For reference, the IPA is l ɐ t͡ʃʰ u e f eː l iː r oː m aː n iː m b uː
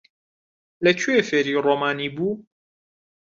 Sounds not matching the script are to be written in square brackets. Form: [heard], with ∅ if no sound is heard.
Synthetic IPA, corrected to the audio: l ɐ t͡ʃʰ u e f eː [ɾ] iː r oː m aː n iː [∅] b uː